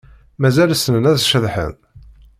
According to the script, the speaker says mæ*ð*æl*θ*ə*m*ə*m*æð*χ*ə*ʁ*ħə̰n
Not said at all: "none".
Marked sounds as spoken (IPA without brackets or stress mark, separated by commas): z, s, n, n, ʃ, ð